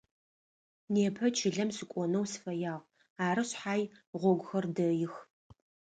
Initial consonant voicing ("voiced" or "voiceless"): voiced